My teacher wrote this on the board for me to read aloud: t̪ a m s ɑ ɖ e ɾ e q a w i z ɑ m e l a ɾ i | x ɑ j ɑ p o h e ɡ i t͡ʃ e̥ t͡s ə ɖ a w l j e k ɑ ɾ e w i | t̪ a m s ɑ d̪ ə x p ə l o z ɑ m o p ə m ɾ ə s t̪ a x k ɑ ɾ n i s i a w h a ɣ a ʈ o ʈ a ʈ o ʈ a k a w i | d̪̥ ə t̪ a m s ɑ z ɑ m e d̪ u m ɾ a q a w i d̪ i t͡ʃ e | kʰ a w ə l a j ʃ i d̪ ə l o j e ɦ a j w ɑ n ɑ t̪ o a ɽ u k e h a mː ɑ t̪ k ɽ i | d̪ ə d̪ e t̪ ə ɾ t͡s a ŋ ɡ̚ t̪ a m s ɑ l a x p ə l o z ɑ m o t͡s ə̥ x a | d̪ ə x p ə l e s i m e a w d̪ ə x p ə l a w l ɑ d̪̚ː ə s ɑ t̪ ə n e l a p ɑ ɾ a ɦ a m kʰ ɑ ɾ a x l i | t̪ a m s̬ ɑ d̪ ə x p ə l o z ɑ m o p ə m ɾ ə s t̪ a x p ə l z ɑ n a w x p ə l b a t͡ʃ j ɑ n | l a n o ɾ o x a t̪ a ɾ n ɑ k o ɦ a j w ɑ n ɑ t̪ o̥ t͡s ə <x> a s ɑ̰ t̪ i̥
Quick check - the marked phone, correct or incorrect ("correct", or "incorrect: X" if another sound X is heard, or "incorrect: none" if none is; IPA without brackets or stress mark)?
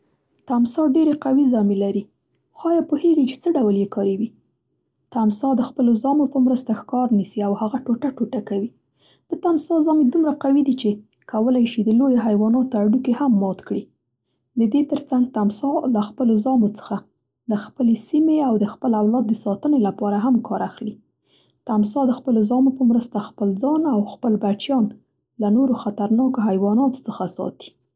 correct